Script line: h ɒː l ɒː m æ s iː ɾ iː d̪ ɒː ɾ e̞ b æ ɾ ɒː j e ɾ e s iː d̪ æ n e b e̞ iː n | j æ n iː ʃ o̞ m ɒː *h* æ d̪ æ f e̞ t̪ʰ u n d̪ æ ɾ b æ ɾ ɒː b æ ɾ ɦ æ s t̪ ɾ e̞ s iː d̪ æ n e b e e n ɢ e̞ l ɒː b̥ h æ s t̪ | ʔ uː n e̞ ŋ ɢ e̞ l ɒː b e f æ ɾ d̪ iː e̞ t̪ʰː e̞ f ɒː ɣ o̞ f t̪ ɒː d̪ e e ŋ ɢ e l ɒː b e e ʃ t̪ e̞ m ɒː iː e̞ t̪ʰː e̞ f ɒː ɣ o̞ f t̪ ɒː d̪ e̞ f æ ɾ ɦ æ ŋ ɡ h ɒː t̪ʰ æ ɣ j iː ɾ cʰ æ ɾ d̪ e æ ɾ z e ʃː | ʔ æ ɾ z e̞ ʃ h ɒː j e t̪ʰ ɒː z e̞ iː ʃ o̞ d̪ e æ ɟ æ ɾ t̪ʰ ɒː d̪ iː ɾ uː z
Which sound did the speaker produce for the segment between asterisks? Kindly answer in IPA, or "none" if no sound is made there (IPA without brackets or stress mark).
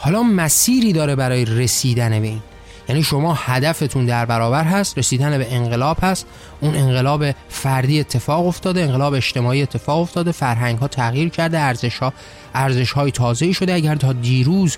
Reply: h